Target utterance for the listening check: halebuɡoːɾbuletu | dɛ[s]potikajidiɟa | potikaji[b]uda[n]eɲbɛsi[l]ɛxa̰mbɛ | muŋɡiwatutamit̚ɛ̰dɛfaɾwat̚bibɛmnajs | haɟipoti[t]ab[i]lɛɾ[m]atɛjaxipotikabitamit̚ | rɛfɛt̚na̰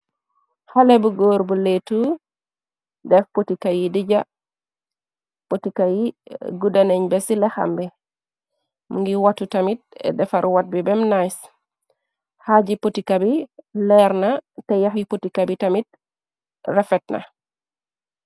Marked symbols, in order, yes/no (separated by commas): no, no, yes, yes, no, yes, no